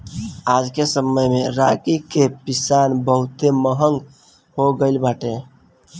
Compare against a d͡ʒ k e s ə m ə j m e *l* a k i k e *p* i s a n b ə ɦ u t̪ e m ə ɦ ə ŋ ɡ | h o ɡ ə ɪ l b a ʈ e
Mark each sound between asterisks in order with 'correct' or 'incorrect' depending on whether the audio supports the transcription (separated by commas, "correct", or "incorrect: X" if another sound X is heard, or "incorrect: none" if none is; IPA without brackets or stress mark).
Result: incorrect: ɾ, correct